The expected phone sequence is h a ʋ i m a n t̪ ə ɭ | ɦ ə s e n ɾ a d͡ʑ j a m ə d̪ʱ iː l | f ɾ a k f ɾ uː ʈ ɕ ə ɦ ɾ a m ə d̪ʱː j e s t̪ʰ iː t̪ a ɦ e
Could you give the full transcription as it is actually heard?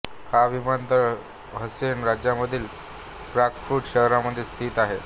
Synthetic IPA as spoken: h a ʋ i m a n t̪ ə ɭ | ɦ ə s e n ɾ a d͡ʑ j a m ə d̪ʱ iː l | f ɾ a k f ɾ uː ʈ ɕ ə ɦ ɾ a m ə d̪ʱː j e s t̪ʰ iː t̪ a ɦ e